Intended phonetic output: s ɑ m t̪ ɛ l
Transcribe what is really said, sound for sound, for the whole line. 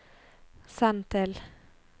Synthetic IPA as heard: s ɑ n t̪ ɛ l